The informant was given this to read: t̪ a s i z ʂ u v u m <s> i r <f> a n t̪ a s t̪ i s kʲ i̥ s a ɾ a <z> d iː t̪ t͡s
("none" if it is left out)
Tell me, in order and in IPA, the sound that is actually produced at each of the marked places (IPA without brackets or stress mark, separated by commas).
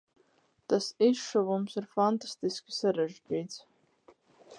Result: s, f, ʒ